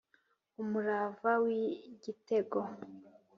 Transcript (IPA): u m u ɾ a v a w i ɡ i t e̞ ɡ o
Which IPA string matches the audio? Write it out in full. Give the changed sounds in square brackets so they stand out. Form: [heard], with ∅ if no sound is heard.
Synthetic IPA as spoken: u m u ɾ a v a w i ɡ i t e̞ ɡ o